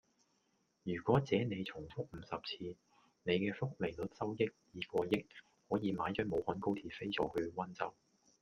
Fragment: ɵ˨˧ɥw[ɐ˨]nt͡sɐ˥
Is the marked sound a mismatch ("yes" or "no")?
yes